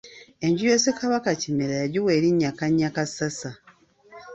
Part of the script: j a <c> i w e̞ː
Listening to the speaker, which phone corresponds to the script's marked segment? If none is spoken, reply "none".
ɟ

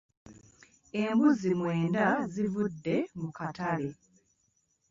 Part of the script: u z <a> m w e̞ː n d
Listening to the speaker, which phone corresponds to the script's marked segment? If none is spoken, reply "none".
i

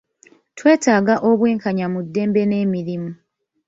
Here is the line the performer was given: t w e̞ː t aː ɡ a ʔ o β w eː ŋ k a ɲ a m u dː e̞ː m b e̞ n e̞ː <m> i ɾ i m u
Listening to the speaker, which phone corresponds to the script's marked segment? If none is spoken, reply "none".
m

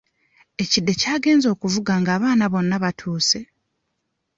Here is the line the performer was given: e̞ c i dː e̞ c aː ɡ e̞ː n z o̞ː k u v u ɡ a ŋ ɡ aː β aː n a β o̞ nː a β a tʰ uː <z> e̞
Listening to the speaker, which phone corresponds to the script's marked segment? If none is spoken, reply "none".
s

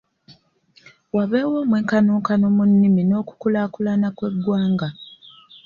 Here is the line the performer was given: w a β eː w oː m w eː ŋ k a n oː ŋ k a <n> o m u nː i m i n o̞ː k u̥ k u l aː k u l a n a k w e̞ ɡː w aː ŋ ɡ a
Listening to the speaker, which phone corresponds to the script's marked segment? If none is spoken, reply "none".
n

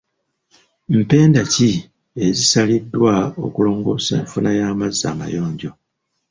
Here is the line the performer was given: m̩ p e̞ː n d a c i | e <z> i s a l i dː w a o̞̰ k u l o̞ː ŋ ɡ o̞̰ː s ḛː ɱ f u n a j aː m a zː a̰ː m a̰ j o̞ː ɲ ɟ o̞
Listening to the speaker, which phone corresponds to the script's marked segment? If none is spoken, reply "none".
z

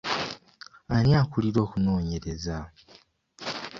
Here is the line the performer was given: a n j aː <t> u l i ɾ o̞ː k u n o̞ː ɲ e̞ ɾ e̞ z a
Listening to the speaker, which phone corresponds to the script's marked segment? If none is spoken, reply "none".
k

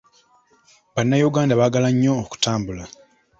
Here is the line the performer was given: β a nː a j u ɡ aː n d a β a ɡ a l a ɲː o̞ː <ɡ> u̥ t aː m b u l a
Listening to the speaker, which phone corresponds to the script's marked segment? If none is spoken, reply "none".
k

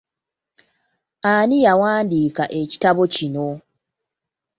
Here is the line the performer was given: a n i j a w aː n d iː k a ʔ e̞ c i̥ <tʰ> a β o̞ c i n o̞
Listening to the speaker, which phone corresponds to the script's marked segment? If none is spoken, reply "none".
t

